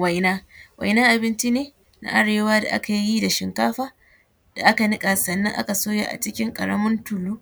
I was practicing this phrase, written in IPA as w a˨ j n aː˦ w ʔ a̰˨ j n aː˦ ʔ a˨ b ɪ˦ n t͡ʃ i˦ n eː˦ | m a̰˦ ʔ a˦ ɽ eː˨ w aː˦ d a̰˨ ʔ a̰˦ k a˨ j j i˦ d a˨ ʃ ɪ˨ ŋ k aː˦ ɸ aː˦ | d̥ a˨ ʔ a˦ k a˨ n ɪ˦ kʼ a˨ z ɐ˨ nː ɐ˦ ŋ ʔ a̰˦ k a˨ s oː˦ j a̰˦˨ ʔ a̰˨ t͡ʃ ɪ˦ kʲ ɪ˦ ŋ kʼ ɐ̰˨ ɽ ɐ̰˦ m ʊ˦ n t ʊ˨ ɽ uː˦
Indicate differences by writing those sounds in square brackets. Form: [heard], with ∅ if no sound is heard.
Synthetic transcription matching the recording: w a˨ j n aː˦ w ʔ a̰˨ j n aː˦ ʔ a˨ b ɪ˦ n t͡ʃ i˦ n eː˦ | [n] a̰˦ ʔ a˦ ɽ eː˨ w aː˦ d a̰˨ ʔ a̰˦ k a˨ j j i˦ d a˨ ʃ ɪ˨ ŋ k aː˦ ɸ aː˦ | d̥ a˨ ʔ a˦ k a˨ n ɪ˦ kʼ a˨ [s] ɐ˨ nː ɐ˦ ŋ ʔ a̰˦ k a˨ s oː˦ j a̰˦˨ ʔ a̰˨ t͡ʃ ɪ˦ kʲ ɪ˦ ŋ kʼ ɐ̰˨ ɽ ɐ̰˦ m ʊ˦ n t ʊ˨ [l] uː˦